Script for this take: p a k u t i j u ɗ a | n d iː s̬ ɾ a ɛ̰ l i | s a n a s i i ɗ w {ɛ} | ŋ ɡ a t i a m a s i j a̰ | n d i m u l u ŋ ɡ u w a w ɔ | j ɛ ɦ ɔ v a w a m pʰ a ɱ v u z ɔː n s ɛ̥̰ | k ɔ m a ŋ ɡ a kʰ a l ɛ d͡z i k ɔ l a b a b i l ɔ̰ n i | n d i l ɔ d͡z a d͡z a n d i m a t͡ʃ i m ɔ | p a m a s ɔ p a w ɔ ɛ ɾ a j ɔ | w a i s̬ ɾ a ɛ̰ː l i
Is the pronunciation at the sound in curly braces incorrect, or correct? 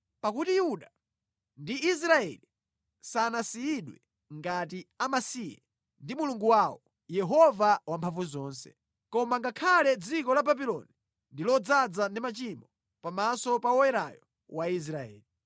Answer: correct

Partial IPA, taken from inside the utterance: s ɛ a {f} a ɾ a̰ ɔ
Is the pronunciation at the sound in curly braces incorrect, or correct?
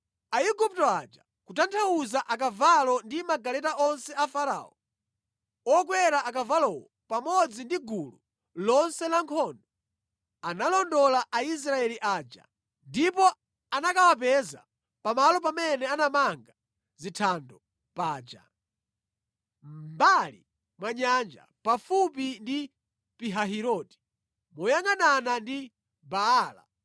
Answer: correct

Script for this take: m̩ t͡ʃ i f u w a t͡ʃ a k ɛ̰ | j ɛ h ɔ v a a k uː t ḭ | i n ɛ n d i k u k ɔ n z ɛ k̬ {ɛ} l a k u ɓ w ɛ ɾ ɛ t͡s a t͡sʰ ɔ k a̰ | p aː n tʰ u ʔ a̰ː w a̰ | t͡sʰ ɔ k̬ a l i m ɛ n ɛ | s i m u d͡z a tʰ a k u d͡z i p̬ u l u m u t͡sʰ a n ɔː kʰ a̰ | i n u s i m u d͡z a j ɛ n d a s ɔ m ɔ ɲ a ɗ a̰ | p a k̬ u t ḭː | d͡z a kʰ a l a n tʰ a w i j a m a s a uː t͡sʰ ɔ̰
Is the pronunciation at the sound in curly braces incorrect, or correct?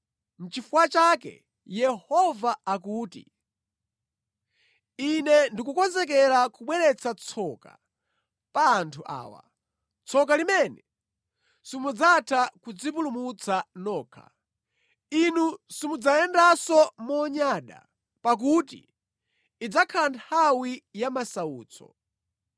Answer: correct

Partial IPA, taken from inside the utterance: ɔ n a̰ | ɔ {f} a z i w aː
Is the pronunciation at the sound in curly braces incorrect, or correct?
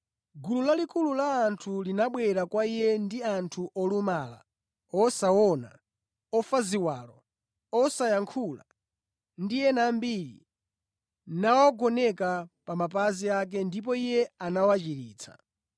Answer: correct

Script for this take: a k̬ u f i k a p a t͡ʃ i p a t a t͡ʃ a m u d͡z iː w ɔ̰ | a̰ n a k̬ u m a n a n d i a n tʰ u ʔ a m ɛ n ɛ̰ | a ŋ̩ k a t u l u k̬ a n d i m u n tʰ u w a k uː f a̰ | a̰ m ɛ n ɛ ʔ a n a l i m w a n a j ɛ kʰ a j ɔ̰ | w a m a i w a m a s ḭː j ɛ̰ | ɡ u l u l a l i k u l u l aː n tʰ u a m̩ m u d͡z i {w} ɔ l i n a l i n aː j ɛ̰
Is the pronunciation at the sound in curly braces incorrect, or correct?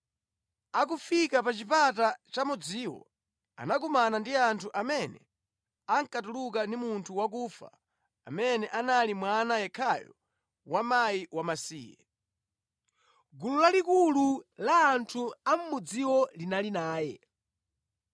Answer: correct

